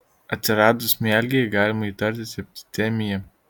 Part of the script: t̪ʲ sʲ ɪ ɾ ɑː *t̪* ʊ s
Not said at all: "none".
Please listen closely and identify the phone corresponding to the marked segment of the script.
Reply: d̪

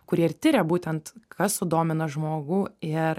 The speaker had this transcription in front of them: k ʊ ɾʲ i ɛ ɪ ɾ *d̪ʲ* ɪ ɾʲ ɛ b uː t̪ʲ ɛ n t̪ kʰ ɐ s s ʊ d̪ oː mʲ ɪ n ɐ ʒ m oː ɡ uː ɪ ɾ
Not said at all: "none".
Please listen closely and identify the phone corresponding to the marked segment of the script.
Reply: t̪ʲ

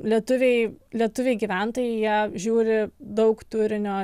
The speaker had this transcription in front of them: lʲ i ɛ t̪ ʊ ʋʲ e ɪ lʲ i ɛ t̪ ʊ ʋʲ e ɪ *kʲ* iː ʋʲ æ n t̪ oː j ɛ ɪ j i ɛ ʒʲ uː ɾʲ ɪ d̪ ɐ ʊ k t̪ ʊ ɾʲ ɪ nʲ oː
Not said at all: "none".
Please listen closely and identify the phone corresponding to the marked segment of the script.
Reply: ɡʲ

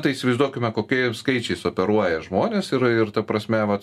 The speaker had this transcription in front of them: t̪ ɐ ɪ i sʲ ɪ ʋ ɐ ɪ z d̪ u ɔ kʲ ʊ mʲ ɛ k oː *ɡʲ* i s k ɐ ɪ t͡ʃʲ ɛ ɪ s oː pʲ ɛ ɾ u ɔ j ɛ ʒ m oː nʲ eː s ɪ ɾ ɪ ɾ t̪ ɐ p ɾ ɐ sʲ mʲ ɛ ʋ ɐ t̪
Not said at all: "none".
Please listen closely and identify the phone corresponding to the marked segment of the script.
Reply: kʲ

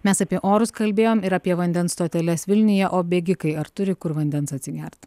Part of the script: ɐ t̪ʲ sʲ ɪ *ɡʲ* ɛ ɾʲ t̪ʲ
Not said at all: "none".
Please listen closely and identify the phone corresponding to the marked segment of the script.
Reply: ɡʲ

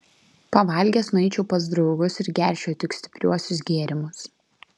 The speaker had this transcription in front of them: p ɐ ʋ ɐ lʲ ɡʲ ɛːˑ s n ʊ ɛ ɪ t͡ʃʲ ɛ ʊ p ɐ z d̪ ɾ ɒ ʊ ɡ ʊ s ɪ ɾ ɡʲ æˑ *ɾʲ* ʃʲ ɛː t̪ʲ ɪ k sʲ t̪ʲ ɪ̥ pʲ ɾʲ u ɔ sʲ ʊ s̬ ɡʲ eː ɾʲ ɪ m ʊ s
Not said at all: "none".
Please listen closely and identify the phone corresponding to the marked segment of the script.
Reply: ɾʲ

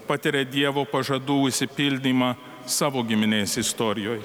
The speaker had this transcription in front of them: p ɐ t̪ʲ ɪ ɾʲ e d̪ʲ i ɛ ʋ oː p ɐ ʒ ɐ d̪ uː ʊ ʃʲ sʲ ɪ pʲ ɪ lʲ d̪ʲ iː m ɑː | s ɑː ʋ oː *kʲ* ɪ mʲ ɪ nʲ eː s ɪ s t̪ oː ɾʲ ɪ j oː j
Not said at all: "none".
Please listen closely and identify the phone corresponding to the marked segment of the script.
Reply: ɡʲ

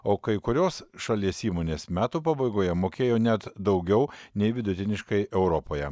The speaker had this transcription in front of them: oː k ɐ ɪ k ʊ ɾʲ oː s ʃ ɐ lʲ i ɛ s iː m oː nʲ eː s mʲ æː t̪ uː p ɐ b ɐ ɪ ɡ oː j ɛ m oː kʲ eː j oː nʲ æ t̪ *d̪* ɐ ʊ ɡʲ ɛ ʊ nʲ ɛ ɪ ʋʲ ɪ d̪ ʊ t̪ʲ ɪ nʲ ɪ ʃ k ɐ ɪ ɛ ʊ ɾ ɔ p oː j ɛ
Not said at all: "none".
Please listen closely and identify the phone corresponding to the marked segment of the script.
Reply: d̪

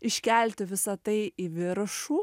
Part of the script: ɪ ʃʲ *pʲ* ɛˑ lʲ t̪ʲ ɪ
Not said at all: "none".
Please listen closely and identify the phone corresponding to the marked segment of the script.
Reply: kʲ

